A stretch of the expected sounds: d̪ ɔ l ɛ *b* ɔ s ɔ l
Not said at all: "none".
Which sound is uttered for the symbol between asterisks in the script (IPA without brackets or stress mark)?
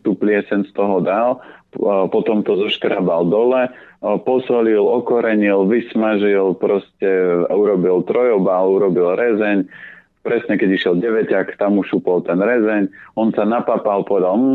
p